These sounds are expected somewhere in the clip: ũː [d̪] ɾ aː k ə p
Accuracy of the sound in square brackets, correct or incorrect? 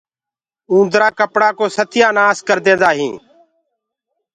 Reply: correct